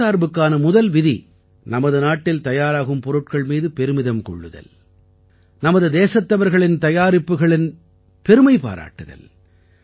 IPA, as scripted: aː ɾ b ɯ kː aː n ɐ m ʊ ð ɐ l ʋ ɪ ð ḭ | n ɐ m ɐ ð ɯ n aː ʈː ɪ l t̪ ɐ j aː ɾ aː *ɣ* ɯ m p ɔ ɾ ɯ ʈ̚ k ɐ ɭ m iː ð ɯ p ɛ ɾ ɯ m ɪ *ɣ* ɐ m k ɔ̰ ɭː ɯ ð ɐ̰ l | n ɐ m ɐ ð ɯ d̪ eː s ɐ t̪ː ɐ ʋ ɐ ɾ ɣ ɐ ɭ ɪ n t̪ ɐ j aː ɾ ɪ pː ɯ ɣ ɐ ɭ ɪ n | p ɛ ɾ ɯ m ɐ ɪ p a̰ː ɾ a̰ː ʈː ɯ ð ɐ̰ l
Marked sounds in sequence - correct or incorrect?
correct, incorrect: ð

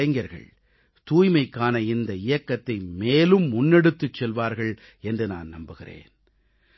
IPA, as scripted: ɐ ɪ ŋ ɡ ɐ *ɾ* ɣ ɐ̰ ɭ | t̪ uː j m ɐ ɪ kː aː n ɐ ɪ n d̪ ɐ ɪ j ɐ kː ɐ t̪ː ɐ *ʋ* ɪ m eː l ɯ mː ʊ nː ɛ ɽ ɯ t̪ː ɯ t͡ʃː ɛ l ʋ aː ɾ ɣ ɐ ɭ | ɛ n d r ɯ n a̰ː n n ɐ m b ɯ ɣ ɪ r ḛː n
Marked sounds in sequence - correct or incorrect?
correct, incorrect: none

